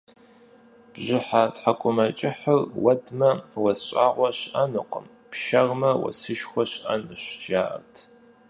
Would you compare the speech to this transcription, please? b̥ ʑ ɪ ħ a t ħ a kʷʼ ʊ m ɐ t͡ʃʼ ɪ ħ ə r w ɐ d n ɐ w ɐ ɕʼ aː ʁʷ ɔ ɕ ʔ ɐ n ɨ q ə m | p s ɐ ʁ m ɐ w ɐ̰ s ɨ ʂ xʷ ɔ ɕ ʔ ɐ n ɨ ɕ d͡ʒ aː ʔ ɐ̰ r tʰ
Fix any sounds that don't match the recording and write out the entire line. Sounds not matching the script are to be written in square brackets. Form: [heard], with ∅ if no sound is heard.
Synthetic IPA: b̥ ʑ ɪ ħ a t ħ a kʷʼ ʊ m ɐ t͡ʃʼ ɪ ħ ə r w ɐ d [m] ɐ w ɐ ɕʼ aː ʁʷ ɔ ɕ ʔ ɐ n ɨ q ə m | p [ʃ] ɐ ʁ m ɐ w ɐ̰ s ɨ [ʃ] xʷ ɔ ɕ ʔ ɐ n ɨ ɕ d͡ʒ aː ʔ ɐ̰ r tʰ

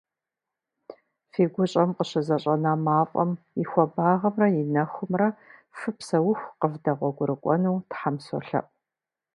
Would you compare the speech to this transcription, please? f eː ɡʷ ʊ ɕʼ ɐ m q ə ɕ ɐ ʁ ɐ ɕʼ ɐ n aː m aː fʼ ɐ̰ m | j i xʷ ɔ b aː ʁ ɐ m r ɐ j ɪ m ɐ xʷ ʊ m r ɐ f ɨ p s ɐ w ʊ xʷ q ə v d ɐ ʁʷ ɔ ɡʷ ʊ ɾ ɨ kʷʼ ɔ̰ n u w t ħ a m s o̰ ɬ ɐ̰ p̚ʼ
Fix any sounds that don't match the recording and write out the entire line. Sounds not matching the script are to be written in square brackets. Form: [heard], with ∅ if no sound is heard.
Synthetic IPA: f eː ɡʷ ʊ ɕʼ ɐ m q ə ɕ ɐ [z] ɐ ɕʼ ɐ n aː m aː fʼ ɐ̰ m | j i xʷ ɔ b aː ʁ ɐ m r ɐ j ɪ [n] ɐ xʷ ʊ m r ɐ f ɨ p s ɐ w ʊ xʷ q ə v d ɐ ʁʷ ɔ ɡʷ ʊ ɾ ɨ kʷʼ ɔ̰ n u w t ħ a m s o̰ ɬ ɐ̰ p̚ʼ

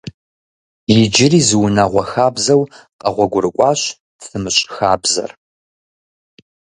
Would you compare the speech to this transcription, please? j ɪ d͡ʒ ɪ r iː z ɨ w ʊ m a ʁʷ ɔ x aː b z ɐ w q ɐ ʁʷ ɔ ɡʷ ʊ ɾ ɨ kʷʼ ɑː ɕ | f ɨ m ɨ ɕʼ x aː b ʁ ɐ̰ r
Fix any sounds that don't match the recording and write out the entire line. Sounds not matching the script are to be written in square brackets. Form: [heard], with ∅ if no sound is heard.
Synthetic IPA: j ɪ d͡ʒ ɪ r iː z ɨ w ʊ [n] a ʁʷ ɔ x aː b z ɐ w q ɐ ʁʷ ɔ ɡʷ ʊ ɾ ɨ kʷʼ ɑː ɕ | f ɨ m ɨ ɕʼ x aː b [z] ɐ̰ r

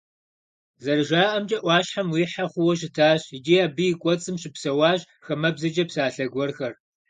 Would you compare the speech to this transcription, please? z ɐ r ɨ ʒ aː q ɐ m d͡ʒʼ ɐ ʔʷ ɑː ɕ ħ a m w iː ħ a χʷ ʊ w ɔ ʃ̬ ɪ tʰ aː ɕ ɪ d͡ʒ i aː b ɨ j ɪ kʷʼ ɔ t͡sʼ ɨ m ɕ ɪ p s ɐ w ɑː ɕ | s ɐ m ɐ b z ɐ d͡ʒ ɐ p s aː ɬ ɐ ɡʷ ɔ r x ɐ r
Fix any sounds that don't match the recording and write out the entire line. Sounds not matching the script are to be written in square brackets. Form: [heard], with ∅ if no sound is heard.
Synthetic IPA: z ɐ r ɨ ʒ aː [ʔ] ɐ m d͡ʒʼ ɐ ʔʷ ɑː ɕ ħ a m w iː ħ a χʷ ʊ w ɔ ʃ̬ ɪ tʰ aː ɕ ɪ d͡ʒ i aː b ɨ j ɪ kʷʼ ɔ t͡sʼ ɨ m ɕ ɪ p s ɐ w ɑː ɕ | [x] ɐ m ɐ b z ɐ d͡ʒ ɐ p s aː ɬ ɐ ɡʷ ɔ r x ɐ r

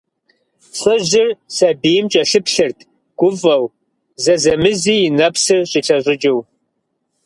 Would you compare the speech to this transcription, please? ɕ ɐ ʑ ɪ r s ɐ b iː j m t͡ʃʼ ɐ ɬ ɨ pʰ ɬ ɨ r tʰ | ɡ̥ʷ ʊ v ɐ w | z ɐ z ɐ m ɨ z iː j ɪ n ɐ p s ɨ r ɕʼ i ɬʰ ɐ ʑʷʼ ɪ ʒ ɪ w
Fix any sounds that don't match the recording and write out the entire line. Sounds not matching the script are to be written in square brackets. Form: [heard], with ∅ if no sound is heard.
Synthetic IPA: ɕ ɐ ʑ ɪ r s ɐ b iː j m t͡ʃʼ ɐ ɬ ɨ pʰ ɬ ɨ r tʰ | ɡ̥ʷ ʊ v ɐ w | z ɐ z ɐ m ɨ z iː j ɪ n ɐ p s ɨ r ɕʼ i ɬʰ ɐ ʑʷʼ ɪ [d͡ʒ] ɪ w

